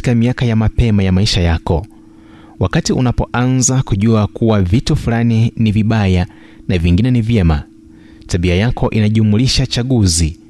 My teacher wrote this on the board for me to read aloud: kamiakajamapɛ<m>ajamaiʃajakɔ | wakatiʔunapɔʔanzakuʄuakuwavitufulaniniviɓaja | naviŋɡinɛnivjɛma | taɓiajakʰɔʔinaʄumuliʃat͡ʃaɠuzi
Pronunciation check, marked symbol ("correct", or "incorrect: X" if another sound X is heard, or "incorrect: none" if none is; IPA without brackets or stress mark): correct